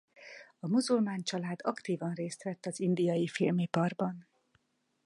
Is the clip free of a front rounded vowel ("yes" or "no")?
yes